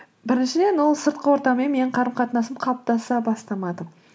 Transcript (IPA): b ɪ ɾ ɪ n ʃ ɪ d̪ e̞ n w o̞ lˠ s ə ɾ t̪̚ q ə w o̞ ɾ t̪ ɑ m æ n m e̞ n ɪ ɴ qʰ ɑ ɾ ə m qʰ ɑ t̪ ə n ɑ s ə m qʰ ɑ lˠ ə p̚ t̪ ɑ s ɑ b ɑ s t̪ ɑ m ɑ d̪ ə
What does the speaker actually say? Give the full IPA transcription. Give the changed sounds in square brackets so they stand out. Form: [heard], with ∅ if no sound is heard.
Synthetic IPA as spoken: b ɪ ɾ ɪ n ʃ ɪ d̪ e̞ n w o̞ lˠ s ə ɾ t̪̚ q ə w o̞ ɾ t̪ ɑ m [e] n m e̞ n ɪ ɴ qʰ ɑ ɾ ə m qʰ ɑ t̪ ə n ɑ s ə m qʰ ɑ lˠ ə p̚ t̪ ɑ s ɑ b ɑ s t̪ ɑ m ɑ d̪ ə